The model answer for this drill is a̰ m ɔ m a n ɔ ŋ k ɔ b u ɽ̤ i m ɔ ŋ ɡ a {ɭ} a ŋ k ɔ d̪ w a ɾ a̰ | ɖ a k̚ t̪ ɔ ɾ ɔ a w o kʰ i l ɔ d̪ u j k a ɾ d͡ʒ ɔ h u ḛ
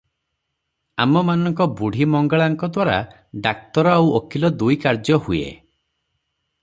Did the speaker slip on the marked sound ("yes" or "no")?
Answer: no